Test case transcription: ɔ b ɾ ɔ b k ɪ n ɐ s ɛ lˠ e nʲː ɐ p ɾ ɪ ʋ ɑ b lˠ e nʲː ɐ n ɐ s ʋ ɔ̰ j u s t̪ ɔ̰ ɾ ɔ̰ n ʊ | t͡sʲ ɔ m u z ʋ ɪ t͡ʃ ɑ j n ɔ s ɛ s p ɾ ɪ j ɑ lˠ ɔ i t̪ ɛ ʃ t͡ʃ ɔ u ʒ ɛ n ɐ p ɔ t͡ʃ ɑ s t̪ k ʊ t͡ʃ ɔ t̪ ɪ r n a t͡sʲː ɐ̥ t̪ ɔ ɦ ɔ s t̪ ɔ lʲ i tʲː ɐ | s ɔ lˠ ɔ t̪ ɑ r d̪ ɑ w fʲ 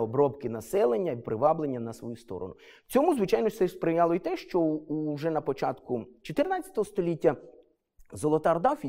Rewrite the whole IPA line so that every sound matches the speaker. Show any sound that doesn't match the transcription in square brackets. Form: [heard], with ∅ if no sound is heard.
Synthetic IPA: ɔ b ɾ ɔ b k ɪ n ɐ s ɛ lˠ e nʲː ɐ p ɾ ɪ ʋ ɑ b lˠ e nʲː ɐ n ɐ s ʋ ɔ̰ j u s t̪ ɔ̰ ɾ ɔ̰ n ʊ | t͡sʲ ɔ m u z ʋ ɪ t͡ʃ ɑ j n ɔ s ɛ s p ɾ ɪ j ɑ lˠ ɔ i t̪ ɛ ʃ t͡ʃ ɔ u ʒ ɛ n ɐ p ɔ t͡ʃ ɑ [∅] t̪ k ʊ t͡ʃ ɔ t̪ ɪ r n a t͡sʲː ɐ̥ t̪ ɔ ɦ ɔ s t̪ ɔ lʲ i tʲː ɐ | [z] ɔ lˠ ɔ t̪ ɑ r d̪ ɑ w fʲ